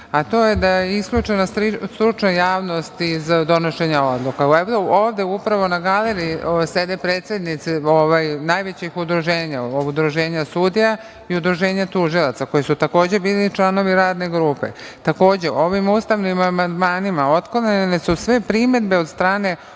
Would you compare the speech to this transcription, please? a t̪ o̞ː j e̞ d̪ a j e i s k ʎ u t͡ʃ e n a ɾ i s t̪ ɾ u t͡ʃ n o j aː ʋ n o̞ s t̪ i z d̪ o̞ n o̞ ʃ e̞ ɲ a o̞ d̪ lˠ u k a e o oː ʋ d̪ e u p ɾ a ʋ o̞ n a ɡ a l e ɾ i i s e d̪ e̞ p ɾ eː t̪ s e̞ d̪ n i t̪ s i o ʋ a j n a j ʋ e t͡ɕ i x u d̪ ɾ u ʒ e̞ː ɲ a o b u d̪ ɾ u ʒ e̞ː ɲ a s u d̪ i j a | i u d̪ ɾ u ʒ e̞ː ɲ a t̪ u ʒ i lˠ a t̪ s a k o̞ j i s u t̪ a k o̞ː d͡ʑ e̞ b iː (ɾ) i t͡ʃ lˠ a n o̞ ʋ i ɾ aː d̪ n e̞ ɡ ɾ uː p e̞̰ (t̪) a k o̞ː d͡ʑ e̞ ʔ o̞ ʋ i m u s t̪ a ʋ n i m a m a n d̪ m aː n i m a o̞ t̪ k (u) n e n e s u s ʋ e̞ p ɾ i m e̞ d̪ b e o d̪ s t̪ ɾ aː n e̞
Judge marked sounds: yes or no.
no, yes, no

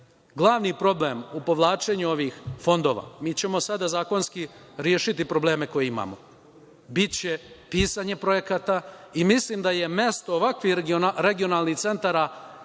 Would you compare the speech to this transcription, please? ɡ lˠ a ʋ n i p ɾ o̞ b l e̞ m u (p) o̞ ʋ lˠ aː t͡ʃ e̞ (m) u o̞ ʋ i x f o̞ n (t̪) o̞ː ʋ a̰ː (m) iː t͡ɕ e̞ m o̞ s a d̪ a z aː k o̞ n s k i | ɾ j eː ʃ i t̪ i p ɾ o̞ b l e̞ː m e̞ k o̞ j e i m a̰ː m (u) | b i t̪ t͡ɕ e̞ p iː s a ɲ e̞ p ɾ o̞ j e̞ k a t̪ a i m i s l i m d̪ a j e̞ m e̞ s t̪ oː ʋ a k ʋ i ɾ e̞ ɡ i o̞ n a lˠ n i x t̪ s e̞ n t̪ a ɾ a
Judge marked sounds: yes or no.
yes, no, no, yes, no

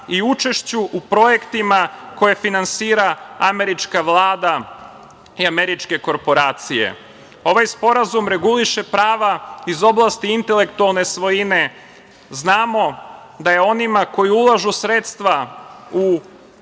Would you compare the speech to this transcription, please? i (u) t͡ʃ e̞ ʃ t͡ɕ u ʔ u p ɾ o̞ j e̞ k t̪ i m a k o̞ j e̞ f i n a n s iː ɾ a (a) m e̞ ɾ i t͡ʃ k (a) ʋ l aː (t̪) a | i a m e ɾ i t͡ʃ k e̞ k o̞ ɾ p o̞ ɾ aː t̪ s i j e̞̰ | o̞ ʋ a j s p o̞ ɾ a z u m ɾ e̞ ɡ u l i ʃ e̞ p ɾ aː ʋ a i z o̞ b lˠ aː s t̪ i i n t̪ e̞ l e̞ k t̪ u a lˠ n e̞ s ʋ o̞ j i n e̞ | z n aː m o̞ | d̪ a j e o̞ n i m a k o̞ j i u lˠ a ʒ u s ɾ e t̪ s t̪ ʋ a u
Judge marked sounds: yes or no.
yes, yes, yes, no

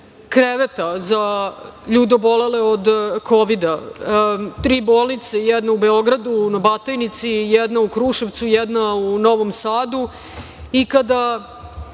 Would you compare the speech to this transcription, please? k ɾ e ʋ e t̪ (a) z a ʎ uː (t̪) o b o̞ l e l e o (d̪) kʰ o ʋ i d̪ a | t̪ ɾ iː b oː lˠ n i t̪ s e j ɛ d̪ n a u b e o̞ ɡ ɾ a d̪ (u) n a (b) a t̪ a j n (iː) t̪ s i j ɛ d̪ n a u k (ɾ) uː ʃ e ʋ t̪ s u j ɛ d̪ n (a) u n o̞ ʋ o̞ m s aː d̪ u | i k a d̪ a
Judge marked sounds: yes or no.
yes, no, yes, yes, yes, no, yes, yes

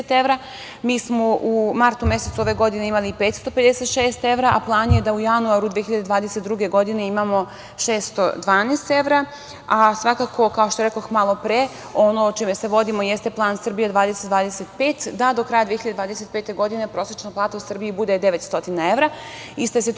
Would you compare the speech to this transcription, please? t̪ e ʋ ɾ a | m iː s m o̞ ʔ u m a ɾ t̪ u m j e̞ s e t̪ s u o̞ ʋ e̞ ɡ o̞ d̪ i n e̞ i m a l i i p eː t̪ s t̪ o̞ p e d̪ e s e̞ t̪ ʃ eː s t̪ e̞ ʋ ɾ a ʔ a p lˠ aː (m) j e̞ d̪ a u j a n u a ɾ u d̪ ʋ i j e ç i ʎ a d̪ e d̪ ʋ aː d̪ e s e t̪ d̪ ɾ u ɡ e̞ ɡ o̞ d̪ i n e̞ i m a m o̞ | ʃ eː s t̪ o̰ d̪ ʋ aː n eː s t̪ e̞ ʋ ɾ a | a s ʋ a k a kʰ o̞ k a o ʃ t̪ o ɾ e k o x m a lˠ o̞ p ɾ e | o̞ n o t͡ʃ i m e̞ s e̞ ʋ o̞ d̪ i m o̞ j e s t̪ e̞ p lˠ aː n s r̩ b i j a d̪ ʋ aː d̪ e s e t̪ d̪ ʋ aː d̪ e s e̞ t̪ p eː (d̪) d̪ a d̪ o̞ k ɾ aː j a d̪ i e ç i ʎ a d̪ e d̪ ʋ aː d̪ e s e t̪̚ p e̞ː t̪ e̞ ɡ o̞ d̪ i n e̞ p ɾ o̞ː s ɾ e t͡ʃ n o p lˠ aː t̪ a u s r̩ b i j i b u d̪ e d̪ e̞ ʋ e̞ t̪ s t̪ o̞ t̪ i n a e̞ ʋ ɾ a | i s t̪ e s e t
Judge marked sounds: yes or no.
no, no

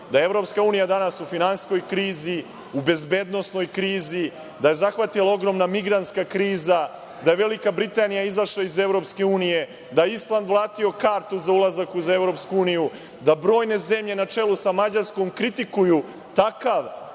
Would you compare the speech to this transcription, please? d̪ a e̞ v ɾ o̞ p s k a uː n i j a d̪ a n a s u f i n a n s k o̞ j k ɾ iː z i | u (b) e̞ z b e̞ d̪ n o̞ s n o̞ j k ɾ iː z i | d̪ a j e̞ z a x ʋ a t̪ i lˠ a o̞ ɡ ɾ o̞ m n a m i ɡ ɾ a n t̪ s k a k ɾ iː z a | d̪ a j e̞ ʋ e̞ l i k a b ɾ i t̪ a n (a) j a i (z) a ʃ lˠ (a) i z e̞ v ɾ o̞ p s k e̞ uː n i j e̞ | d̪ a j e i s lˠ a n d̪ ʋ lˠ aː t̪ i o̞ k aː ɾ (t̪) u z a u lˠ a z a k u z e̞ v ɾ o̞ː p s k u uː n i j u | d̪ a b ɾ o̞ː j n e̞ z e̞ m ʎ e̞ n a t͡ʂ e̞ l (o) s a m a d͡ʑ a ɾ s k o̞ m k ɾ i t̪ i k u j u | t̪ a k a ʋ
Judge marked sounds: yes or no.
yes, no, yes, yes, yes, no

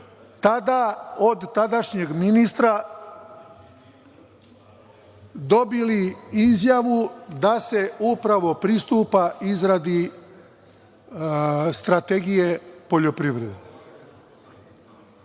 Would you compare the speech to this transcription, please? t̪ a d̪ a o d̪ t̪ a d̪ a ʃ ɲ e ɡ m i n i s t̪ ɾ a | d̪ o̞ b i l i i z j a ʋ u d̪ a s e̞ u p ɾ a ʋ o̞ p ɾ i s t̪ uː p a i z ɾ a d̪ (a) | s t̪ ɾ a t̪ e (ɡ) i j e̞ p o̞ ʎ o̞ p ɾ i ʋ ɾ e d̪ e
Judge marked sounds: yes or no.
no, yes

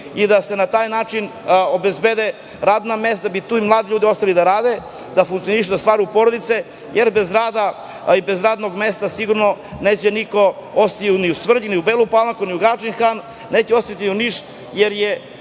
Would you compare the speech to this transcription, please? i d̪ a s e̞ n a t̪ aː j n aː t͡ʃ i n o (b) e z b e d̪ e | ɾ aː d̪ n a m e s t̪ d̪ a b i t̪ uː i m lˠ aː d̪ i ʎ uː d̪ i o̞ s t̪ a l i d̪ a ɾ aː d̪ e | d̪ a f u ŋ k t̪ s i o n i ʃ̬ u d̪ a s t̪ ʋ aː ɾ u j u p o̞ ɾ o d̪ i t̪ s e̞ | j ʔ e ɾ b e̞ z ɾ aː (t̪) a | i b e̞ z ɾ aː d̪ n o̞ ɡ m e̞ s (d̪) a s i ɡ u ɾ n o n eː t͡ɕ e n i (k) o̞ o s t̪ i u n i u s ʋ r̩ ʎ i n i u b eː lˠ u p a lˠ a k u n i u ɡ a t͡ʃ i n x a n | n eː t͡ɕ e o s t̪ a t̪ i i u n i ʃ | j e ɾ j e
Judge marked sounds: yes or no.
yes, no, no, yes

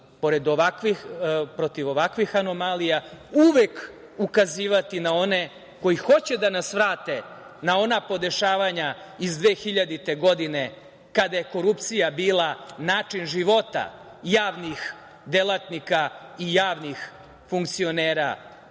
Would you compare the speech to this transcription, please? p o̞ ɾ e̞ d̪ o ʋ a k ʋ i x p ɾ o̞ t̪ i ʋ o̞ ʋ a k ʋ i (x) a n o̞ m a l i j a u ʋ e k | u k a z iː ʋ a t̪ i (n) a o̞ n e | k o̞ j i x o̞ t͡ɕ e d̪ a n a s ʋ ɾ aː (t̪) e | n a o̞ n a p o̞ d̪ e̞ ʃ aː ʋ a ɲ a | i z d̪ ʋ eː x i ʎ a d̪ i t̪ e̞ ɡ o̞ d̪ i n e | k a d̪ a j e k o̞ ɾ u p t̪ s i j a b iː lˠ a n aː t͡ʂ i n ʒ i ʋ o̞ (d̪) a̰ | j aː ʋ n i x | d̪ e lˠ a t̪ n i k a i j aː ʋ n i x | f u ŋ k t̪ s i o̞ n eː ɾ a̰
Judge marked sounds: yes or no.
yes, yes, yes, no

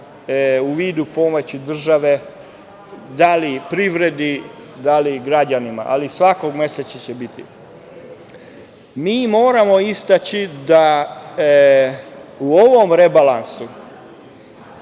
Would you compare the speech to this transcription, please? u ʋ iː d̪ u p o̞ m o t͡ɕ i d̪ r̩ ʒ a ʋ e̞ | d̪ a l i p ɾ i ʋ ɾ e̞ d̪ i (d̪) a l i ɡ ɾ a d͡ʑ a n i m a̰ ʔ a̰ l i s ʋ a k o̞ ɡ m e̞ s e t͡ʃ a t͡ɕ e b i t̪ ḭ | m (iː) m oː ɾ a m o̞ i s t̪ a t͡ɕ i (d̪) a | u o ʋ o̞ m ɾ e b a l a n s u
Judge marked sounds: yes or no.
yes, yes, yes

